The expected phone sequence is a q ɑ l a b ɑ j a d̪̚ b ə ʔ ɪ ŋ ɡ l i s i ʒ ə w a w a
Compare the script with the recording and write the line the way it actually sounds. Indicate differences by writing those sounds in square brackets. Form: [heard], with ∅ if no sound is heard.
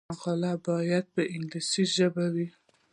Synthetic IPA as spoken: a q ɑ l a b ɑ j a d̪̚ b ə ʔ ɪ ŋ ɡ l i s i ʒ ə [b] a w [i]